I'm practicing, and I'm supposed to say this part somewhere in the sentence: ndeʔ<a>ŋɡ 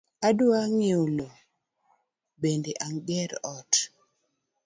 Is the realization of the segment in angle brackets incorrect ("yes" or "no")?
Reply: no